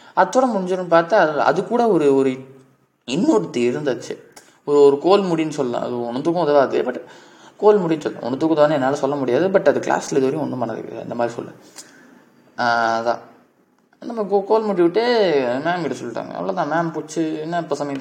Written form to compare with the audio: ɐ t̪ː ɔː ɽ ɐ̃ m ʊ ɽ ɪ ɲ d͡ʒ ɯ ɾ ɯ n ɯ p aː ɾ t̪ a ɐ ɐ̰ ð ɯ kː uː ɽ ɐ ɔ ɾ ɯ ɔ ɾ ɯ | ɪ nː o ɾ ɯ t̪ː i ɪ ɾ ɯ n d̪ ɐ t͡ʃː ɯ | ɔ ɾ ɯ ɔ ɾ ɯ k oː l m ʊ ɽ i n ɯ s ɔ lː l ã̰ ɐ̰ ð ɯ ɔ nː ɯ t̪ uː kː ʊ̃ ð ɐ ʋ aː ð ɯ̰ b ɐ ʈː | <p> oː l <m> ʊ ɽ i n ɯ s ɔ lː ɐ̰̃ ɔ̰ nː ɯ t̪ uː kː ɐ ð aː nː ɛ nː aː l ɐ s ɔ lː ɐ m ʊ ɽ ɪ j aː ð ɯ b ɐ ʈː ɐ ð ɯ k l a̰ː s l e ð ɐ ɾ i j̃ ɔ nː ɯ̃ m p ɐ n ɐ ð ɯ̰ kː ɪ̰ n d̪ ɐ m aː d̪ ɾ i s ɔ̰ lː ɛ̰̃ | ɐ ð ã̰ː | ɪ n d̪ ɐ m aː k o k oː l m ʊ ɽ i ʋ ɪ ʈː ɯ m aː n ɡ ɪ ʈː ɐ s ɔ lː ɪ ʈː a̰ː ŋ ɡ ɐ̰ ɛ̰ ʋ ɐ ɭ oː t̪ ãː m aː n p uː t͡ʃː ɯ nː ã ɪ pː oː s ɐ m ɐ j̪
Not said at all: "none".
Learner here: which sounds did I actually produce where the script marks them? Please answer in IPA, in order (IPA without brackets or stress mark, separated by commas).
k, m